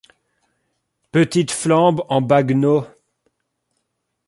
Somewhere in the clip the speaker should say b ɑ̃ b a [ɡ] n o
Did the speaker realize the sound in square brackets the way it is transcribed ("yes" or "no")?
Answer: yes